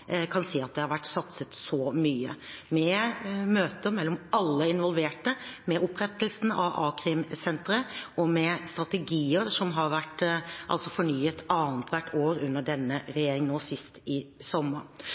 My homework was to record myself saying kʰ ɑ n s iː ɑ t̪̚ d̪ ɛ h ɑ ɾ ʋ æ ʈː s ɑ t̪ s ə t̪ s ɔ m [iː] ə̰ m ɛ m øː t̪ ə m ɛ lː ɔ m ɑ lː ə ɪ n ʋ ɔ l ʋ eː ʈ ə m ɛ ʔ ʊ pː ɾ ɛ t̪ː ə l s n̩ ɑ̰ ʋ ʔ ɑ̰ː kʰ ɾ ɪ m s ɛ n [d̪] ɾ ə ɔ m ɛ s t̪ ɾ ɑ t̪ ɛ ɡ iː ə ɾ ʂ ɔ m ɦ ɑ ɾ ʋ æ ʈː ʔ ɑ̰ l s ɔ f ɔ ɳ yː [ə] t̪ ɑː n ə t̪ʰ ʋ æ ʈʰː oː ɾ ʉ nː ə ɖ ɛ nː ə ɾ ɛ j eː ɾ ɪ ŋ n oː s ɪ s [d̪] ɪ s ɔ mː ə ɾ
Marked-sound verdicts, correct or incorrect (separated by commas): incorrect, incorrect, correct, incorrect